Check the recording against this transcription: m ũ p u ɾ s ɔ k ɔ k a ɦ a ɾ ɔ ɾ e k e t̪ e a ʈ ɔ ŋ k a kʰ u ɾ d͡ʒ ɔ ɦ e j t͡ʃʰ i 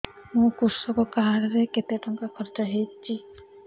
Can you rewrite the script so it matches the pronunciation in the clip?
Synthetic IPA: m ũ k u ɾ s ɔ k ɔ k a ɦ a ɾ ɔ ɾ e k e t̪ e a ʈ ɔ ŋ k a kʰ ɔ ɾ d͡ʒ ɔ ɦ e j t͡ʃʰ i